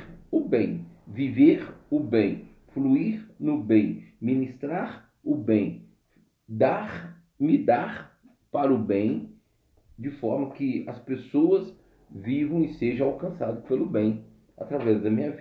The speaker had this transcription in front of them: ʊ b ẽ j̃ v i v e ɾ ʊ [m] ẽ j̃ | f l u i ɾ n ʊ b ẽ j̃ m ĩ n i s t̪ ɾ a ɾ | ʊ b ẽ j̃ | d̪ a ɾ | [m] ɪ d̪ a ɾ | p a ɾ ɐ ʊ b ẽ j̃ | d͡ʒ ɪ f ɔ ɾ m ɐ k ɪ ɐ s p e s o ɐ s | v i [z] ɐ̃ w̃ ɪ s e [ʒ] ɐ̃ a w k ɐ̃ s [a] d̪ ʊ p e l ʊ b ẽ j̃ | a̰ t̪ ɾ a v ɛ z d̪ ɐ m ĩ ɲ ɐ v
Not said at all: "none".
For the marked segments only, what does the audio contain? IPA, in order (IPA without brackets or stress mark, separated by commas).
b, m, v, ʒ, a